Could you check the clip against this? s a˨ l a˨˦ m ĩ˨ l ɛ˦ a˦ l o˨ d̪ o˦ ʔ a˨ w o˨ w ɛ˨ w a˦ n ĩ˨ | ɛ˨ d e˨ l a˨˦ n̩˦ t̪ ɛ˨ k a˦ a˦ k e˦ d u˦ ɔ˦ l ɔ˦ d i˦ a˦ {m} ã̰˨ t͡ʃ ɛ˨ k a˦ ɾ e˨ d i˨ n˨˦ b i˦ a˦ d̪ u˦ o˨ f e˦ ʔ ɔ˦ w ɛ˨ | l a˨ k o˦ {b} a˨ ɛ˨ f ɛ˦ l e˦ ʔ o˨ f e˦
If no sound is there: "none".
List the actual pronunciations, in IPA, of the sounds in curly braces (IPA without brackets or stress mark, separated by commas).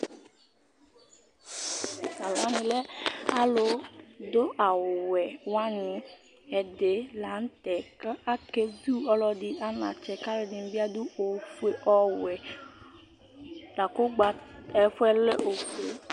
n, ɡ͡b